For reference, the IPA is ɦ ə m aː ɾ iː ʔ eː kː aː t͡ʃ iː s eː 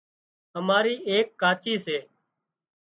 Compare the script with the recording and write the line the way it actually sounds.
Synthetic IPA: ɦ ə m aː ɾ iː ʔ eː kː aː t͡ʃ iː s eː